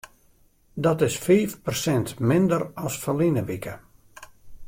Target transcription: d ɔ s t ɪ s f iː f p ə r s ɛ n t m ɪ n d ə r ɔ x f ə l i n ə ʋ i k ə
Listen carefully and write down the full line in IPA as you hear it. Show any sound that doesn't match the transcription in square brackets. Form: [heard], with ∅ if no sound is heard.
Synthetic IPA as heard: d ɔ [∅] t ɪ s f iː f p ə r s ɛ n t m ɪ n d ə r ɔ [s] f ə l i n ə ʋ i k ə